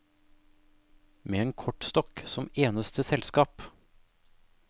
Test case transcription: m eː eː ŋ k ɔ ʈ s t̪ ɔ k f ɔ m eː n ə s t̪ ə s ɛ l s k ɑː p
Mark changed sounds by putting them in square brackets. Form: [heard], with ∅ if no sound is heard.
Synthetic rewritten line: m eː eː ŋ [kʰ] ɔ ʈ s t̪ ɔ k [s] ɔ m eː n ə s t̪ ə s ɛ l s k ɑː p